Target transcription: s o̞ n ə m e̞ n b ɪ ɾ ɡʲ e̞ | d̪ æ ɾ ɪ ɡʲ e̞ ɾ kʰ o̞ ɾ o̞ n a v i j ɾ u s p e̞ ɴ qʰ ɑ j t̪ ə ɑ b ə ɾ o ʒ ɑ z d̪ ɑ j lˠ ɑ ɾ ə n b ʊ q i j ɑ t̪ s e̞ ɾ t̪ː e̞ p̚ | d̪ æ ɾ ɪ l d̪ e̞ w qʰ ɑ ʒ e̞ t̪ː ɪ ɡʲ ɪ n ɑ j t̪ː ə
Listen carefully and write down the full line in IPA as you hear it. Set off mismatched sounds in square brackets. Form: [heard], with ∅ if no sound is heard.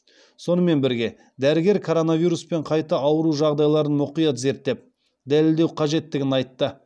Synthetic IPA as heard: s o̞ n ə m e̞ n b ɪ ɾ ɡʲ e̞ | d̪ æ ɾ ɪ ɡʲ e̞ ɾ kʰ o̞ ɾ o̞ n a v i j ɾ u s p e̞ ɴ qʰ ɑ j t̪ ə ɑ [w] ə ɾ [u] ʒ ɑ [ʁ] d̪ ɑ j lˠ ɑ ɾ ə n [m] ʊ q i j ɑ t̪ [z] e̞ ɾ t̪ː e̞ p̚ | d̪ æ [l] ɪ l d̪ e̞ w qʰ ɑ ʒ e̞ t̪ː ɪ ɡʲ ɪ n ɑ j t̪ː ə